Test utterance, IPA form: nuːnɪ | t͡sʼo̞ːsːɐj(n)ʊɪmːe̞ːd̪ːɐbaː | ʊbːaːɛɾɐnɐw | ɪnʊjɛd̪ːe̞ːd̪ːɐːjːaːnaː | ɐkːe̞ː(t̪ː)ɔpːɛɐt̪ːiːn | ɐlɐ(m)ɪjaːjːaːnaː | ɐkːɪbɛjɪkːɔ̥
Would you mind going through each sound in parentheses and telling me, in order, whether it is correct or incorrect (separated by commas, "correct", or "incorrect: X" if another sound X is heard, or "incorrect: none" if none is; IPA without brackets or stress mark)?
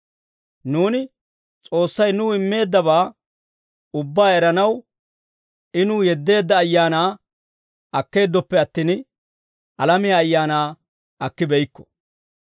correct, incorrect: d̪ː, correct